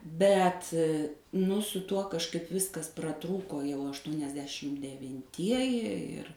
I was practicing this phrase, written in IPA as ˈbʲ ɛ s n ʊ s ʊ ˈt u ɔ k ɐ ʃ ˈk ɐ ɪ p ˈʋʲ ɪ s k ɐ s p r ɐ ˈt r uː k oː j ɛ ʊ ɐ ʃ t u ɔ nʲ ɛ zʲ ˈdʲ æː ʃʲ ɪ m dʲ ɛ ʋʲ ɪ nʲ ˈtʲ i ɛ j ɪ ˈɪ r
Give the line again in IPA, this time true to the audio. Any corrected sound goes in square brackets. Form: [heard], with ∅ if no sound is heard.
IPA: ˈbʲ ɛ [t] n ʊ s ʊ ˈt u ɔ k ɐ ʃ ˈk ɐ ɪ p ˈʋʲ ɪ s k ɐ s p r ɐ ˈt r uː k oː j ɛ ʊ ɐ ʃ t u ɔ nʲ ɛ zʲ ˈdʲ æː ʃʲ ɪ m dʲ ɛ ʋʲ ɪ nʲ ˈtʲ i ɛ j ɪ ˈɪ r